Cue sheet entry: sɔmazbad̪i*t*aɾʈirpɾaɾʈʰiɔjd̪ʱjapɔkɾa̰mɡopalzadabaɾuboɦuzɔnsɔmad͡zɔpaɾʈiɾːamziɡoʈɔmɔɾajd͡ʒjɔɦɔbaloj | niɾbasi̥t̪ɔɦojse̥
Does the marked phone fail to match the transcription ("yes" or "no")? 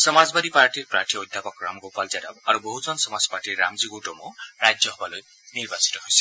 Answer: yes